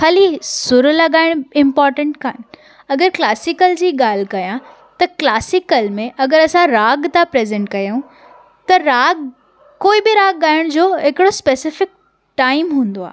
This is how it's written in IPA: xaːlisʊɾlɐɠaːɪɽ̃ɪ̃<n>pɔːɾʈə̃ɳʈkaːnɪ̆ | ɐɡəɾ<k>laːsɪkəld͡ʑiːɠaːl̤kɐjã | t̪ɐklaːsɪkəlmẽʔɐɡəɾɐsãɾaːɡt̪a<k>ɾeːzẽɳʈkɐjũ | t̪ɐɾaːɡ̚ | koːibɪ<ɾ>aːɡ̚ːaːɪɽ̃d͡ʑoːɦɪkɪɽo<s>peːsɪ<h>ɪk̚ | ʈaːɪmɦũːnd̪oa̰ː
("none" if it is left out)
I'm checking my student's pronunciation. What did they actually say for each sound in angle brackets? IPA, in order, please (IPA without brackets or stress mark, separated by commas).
m, k, p, ɾ, s, f